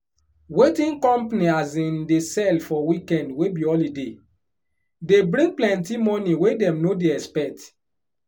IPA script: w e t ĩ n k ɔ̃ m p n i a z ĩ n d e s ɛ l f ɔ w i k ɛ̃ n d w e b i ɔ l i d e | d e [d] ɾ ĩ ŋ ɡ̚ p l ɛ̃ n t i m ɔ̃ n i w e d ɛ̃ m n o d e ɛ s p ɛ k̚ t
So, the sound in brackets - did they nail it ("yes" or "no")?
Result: no